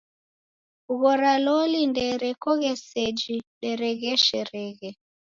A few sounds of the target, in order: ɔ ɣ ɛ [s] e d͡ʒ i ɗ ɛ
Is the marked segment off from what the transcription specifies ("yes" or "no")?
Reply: no